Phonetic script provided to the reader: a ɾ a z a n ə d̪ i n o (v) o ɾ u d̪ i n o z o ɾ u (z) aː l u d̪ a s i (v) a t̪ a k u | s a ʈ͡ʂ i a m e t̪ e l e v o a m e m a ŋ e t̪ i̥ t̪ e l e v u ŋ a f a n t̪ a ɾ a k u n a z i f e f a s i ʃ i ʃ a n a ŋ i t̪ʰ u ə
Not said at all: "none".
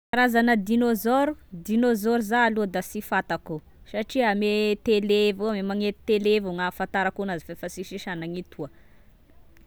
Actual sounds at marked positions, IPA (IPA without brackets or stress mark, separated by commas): z, z, f